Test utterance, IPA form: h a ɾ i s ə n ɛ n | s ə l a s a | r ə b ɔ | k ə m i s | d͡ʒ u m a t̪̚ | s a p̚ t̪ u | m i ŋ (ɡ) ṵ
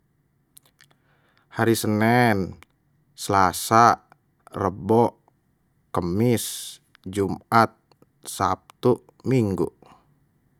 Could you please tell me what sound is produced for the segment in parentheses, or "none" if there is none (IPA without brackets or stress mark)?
ɡ